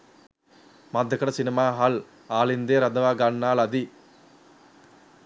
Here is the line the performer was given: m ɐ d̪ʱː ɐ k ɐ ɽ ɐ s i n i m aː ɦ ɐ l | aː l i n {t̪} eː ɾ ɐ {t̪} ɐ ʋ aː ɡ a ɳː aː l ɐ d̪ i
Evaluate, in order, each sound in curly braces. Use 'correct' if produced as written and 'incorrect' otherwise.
incorrect, incorrect

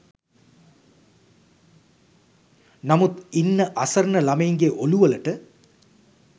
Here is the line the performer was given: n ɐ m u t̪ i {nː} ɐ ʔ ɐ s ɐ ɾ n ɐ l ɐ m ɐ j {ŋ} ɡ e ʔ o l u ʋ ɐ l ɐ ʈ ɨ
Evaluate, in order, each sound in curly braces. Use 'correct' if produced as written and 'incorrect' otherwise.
correct, correct

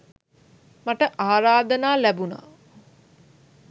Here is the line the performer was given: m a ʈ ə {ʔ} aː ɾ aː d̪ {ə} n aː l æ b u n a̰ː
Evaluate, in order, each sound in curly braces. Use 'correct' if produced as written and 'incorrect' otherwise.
correct, correct

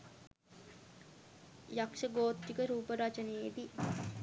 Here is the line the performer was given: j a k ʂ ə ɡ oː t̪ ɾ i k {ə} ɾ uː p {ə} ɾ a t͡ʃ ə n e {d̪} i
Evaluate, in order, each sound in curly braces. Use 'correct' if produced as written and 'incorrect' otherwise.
correct, correct, correct

